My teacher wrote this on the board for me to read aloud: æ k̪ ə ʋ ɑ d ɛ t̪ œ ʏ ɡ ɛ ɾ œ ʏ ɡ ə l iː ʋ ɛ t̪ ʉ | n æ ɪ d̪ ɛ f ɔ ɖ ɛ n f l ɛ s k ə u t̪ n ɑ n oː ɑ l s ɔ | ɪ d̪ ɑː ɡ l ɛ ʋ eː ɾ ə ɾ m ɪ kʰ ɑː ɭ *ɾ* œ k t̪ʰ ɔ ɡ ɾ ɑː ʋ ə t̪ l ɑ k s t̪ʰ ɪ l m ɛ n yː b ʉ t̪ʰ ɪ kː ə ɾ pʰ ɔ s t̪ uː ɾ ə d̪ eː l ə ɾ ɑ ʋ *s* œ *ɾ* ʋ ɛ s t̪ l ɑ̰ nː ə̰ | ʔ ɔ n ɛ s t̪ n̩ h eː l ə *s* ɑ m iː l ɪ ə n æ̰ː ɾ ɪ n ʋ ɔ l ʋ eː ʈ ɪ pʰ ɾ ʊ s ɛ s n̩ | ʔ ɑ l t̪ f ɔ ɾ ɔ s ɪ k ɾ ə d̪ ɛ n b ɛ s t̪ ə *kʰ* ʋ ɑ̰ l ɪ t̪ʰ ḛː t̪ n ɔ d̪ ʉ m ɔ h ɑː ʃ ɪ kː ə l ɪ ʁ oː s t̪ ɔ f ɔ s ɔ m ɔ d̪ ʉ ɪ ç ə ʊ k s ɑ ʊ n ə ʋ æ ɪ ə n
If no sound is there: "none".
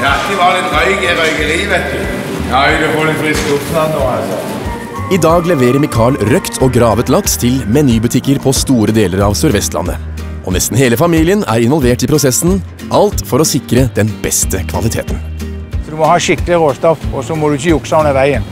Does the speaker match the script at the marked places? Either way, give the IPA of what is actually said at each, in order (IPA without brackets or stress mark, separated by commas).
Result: ɾ, s, ɾ, f, kʰ